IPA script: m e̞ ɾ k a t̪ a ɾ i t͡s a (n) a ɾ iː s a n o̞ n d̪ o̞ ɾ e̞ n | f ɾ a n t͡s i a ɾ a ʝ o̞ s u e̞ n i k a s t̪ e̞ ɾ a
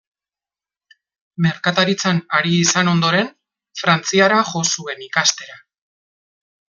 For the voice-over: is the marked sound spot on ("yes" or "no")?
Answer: yes